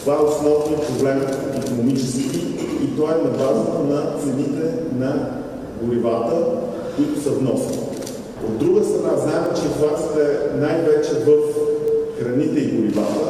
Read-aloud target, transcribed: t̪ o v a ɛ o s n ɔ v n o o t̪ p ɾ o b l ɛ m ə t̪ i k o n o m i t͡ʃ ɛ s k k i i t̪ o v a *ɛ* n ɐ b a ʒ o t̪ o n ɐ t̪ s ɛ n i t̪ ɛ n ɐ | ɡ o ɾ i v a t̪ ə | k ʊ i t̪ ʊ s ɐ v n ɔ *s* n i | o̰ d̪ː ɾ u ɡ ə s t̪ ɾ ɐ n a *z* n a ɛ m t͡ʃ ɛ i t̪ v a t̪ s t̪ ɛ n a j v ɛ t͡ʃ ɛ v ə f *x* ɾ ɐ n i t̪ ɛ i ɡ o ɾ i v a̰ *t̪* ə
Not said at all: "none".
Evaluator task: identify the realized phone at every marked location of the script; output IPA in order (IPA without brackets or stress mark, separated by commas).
ɛ, s, z, x, t̪